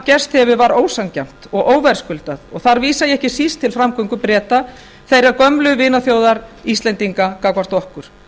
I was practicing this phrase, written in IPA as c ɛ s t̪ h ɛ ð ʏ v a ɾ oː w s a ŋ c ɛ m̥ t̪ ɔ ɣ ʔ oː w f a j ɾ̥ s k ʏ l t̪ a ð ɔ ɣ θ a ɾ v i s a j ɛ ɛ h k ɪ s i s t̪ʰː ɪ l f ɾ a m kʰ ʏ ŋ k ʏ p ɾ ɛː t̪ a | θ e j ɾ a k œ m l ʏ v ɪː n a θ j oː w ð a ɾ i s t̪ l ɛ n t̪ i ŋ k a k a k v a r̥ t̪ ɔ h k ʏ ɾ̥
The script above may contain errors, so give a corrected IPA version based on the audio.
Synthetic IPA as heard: c ɛ s t̪ h ɛ v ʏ v a ɾ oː w s a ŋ c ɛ m̥ t̪ ɔ ɣ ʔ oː w v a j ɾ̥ s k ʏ l t̪ a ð ɔ ɣ θ a ɾ v iː s a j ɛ ɛ h c ɪ s i s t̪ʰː ɪ l f ɾ a m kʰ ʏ ŋ k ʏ p ɾ ɛː t̪ a | θ e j ɾ a k œ m l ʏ v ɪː n a θ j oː w ð a ɾ i s t̪ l ɛ n t̪ i ŋ k a k a k v a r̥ t̪ ɔ h k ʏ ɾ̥